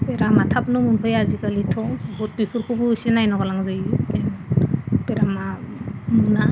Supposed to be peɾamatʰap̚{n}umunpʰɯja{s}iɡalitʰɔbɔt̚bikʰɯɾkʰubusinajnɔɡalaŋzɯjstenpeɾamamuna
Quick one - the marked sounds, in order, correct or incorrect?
correct, incorrect

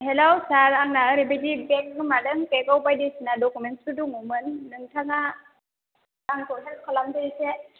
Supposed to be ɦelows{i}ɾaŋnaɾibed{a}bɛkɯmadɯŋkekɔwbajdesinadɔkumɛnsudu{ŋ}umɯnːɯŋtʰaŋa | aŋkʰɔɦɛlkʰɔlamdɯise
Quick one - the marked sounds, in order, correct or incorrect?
incorrect, incorrect, correct

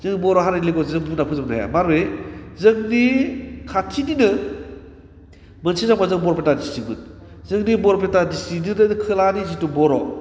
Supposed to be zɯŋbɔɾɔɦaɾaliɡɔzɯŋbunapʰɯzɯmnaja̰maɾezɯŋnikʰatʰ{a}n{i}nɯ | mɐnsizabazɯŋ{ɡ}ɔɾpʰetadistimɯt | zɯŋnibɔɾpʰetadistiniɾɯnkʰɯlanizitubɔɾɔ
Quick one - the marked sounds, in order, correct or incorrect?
incorrect, correct, incorrect

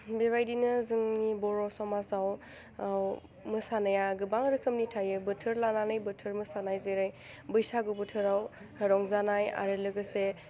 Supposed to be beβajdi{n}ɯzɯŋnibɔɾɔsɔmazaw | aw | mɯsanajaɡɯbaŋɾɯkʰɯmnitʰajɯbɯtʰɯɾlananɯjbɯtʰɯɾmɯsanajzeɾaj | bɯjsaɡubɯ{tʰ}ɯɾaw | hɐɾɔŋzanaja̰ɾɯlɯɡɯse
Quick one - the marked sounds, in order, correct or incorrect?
correct, correct

